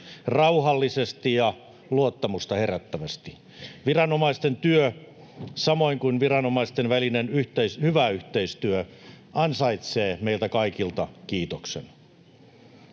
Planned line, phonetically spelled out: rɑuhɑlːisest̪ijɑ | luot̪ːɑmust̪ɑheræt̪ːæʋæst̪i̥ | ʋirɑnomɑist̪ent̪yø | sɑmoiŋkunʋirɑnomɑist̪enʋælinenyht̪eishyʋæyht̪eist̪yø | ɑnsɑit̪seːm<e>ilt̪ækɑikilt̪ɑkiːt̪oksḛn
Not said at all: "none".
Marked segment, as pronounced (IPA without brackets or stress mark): e